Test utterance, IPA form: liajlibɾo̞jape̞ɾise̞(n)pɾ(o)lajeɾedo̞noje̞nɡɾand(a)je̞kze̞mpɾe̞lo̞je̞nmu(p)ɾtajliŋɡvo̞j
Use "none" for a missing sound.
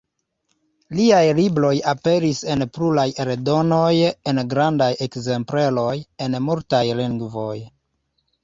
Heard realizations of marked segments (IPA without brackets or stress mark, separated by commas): n, u, a, none